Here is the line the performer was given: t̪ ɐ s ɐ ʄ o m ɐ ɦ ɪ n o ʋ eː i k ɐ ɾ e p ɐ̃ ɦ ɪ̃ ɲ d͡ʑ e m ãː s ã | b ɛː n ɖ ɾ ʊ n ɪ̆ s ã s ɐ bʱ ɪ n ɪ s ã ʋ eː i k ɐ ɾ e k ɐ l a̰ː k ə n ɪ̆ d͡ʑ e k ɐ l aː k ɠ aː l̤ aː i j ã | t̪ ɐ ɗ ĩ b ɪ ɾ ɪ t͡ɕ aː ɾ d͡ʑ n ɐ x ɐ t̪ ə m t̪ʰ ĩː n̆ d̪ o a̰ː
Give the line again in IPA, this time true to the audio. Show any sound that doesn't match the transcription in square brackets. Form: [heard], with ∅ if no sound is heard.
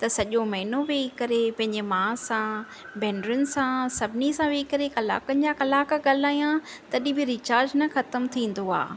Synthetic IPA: t̪ ɐ s ɐ ʄ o m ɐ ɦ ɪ n o ʋ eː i k ɐ ɾ e p ɐ̃ ɦ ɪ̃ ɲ d͡ʑ e m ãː s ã | b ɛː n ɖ ɾ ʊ n ɪ̆ s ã s ɐ bʱ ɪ n [i] s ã ʋ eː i k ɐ ɾ e k ɐ l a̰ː k ə n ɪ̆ d͡ʑ [a] k ɐ l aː k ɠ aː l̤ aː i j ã | t̪ ɐ ɗ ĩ b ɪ ɾ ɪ t͡ɕ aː ɾ d͡ʑ n ɐ x ɐ t̪ ə m t̪ʰ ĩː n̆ d̪ o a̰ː

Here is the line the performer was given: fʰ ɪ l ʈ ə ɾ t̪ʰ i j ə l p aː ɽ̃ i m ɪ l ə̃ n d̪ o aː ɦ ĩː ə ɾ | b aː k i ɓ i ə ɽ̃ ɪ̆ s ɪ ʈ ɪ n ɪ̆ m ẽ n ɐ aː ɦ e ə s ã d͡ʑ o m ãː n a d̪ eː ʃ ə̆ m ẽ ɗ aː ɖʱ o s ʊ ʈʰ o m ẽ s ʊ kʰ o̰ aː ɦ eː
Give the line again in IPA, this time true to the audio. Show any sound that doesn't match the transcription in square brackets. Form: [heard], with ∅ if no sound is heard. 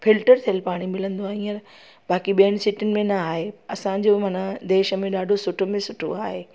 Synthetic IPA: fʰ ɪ l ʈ ə ɾ t̪ʰ i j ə l p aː ɽ̃ i m ɪ l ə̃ n d̪ o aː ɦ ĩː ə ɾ | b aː k i ɓ i ə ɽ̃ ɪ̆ s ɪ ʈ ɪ n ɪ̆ m ẽ n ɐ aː ɦ e [ɐ] s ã d͡ʑ o m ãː n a d̪ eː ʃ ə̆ m ẽ ɗ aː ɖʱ o s ʊ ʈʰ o m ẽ s ʊ [ʈʰ] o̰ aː ɦ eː

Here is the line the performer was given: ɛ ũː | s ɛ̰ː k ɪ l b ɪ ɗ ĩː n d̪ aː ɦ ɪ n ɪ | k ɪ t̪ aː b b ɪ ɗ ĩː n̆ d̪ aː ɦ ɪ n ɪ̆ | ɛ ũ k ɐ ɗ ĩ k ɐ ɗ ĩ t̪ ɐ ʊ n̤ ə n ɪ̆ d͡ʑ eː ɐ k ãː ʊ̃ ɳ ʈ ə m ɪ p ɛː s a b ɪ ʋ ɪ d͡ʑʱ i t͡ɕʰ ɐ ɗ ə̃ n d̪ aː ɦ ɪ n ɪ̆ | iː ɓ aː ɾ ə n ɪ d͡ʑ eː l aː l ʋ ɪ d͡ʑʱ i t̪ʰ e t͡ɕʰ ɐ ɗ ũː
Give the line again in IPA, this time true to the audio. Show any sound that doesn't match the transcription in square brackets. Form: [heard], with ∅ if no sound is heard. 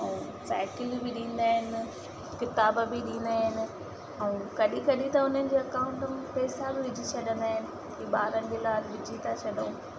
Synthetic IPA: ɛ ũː | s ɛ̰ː k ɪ l b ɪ ɗ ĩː n d̪ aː ɦ ɪ n ɪ | k ɪ t̪ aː b b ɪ ɗ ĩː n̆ d̪ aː ɦ ɪ n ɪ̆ | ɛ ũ k ɐ ɗ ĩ k ɐ ɗ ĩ t̪ ɐ ʊ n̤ ə n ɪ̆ d͡ʑ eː ɐ k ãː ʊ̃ ɳ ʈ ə m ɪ p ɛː s a b ɪ ʋ ɪ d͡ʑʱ i t͡ɕʰ ɐ ɗ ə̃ n d̪ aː ɦ ɪ n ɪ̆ | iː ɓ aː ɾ ə n ɪ d͡ʑ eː l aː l ʋ ɪ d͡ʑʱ i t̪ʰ [a] t͡ɕʰ ɐ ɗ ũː

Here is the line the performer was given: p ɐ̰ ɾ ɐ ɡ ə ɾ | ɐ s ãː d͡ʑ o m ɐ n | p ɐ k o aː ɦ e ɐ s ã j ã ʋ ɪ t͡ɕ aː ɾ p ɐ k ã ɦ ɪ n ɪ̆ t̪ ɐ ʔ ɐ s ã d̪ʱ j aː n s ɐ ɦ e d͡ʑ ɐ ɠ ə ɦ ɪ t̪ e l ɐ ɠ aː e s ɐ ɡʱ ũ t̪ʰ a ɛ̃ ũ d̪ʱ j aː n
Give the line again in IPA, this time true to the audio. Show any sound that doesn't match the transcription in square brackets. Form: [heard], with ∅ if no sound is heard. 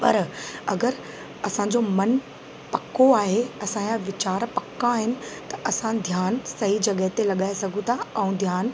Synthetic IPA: p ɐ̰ ɾ ɐ ɡ ə ɾ | ɐ s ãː d͡ʑ o m ɐ n | p ɐ k o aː ɦ e ɐ s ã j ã ʋ ɪ t͡ɕ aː ɾ p ɐ k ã ɦ ɪ n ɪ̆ t̪ ɐ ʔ ɐ s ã d̪ʱ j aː n s ɐ ɦ [i] d͡ʑ ɐ ɠ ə ɦ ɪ t̪ e l ɐ ɠ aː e s ɐ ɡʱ ũ t̪ʰ a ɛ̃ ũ d̪ʱ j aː n

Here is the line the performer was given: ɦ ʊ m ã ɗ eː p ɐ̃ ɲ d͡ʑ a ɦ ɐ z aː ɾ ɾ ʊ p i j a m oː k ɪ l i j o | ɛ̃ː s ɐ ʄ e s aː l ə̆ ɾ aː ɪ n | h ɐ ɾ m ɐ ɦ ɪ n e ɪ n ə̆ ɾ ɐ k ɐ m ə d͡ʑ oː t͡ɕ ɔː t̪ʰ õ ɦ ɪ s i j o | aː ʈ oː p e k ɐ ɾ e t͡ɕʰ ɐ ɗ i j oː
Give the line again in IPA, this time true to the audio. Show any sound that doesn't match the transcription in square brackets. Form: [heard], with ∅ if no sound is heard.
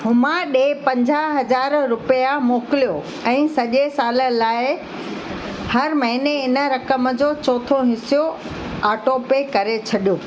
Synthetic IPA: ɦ ʊ m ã ɗ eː p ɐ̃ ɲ d͡ʑ a ɦ ɐ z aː ɾ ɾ ʊ p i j a m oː k ɪ l i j o | ɛ̃ː s ɐ ʄ e s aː l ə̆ [l] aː ɪ [∅] | h ɐ ɾ m ɐ ɦ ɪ n e ɪ n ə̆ ɾ ɐ k [ə] m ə d͡ʑ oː t͡ɕ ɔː t̪ʰ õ ɦ ɪ s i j o | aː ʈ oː p e k ɐ ɾ e t͡ɕʰ ɐ ɗ i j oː

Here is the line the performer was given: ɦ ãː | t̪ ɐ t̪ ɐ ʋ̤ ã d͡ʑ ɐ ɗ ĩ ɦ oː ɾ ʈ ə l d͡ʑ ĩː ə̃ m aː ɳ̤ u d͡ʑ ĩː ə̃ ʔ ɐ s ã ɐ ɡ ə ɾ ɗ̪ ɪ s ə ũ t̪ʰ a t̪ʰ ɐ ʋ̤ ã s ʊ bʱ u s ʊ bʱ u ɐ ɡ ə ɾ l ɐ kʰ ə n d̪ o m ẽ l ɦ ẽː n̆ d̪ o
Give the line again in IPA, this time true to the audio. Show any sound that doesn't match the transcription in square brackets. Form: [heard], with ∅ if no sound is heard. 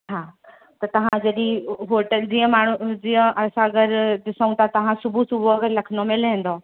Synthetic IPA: ɦ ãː | t̪ ɐ t̪ ɐ ʋ̤ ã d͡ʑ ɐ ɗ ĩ ɦ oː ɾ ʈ ə l d͡ʑ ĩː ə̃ m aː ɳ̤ u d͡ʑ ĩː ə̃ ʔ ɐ s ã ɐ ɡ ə ɾ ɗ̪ ɪ s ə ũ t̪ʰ a [t̪] ɐ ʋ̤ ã s ʊ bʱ u s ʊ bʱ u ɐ ɡ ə ɾ l ɐ kʰ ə n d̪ o m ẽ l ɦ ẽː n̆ d̪ o

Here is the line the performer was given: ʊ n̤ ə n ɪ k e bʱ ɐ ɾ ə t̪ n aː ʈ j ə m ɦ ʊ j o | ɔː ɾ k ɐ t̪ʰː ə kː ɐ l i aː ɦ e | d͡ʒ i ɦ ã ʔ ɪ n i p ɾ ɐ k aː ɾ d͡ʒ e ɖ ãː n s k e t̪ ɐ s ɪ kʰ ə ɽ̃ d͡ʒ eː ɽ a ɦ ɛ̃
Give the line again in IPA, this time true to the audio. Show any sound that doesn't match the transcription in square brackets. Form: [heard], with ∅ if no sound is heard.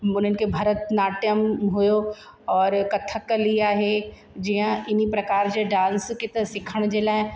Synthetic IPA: ʊ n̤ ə n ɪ k e bʱ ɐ ɾ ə t̪ n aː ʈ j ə m ɦ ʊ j o | ɔː ɾ k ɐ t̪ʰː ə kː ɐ l i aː ɦ e | d͡ʒ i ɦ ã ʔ ɪ n i p ɾ ɐ k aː ɾ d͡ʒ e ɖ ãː n s k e t̪ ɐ s ɪ kʰ ə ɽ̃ d͡ʒ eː [l] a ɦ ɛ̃

